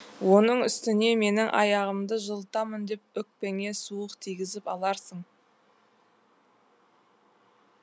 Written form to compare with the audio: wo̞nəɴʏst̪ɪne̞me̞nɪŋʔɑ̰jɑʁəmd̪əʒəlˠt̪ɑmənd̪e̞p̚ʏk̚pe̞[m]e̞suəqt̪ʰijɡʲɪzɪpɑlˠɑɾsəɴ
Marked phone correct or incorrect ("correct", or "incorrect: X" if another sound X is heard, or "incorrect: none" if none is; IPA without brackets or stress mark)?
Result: incorrect: ŋ